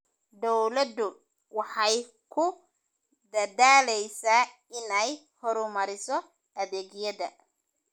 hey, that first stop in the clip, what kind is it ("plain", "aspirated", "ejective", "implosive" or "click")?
plain